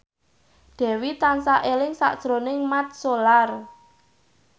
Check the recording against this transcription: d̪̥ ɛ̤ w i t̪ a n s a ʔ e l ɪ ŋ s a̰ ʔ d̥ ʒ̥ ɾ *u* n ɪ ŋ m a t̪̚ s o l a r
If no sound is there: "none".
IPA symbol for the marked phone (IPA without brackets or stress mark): o